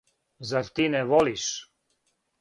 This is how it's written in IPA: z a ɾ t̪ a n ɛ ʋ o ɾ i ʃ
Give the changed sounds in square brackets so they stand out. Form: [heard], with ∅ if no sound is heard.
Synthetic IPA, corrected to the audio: z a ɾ t̪ [i] n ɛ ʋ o [l] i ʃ